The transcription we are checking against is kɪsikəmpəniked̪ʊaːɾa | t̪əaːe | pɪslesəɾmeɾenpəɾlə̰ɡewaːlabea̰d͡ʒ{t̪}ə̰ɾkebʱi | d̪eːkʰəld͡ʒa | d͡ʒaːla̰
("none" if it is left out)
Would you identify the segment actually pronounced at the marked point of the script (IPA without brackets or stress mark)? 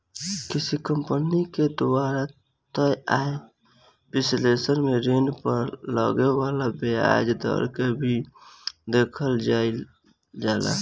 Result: d̪